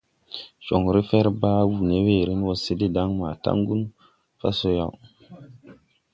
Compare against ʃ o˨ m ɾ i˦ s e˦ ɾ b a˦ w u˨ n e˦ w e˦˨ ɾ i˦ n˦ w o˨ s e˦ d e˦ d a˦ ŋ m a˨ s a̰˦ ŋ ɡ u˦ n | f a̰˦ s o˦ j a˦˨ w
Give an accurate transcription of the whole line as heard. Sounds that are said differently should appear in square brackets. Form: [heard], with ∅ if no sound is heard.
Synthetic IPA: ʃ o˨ [ŋ] ɾ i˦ [f] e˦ ɾ b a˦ w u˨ n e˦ w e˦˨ ɾ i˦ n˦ w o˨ s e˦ d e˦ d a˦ ŋ m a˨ [t] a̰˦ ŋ ɡ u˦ n | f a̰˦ s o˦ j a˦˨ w